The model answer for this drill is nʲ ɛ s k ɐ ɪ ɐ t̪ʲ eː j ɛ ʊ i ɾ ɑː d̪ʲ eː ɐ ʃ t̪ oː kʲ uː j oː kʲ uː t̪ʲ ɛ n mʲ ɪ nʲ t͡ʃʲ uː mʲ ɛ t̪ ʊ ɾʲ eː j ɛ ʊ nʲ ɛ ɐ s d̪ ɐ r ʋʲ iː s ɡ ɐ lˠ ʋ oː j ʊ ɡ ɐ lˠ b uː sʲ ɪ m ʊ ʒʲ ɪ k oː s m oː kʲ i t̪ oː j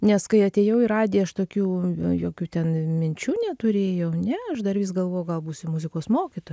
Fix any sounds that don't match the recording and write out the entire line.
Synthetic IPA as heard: nʲ ɛ s k ɐ ɪ ɐ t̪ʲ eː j ɛ ʊ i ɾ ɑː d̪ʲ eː ɐ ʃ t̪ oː kʲ uː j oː kʲ uː t̪ʲ ɛ n mʲ ɪ nʲ t͡ʃʲ uː nʲ ɛ t̪ ʊ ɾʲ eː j ɛ ʊ nʲ ɛ ɐ ʃ d̪ ɐ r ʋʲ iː s ɡ ɐ lˠ ʋ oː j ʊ ɡ ɐ lˠ b uː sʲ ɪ m ʊ zʲ ɪ k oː s m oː kʲ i t̪ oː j